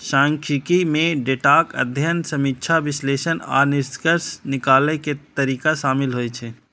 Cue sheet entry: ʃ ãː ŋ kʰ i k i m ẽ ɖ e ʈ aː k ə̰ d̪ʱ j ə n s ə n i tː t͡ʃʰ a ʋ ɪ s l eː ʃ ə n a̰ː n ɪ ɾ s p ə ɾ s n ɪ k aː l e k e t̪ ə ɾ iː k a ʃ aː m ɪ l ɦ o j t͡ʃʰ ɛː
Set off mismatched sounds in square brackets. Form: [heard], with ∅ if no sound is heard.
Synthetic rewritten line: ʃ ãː ŋ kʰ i k i m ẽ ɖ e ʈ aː k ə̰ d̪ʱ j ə n s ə [m] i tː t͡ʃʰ a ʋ ɪ s l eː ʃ ə n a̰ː n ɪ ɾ s [k] ə ɾ s n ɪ k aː l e k e t̪ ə ɾ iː k a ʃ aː m ɪ l ɦ o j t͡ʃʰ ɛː